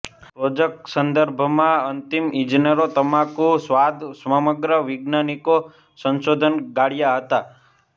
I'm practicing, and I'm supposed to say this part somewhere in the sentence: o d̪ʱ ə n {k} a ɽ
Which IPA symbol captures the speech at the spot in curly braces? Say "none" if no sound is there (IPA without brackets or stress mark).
ɡ